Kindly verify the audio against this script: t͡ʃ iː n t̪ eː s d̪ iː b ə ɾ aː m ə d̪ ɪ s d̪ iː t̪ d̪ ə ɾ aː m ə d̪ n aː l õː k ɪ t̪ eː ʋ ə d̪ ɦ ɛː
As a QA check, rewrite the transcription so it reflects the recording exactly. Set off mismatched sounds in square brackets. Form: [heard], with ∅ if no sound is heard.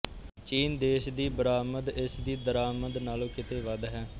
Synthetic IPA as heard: t͡ʃ iː n [d̪] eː [ʃ] d̪ iː b ə ɾ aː m ə d̪ ɪ s d̪ iː [∅] d̪ ə ɾ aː m ə d̪ n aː l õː k ɪ t̪ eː ʋ ə d̪ ɦ ɛː